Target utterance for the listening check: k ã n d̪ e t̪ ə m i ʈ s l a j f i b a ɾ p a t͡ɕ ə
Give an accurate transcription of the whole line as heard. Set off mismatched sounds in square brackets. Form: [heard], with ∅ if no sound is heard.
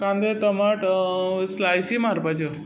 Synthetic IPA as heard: k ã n d̪ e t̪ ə m [a] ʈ s l a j [s] i [m] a ɾ p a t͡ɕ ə